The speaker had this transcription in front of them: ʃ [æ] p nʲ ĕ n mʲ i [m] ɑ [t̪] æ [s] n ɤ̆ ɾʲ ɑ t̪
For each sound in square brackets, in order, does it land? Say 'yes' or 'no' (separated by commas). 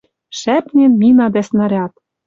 yes, no, no, yes